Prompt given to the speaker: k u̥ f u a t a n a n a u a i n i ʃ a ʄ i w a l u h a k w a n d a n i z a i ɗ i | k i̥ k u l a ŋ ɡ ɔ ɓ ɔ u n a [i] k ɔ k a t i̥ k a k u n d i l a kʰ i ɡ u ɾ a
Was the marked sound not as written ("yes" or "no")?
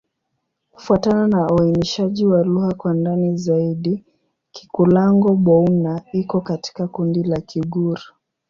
no